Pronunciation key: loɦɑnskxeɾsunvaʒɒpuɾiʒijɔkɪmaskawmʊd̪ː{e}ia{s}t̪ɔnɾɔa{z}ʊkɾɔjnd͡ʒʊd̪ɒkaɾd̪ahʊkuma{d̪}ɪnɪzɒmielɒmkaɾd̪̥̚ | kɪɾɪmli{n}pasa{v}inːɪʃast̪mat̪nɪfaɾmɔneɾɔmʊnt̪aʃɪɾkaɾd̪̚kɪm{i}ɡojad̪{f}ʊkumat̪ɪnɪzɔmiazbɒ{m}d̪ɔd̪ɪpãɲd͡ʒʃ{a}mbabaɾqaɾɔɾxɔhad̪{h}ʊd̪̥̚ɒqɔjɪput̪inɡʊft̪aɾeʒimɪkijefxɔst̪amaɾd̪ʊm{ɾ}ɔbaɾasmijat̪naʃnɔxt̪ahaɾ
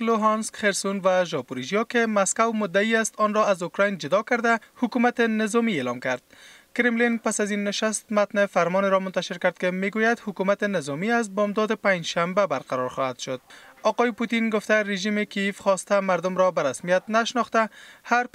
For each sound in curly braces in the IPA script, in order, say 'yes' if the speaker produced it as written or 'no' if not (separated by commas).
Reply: no, yes, yes, no, yes, no, no, no, yes, yes, no, yes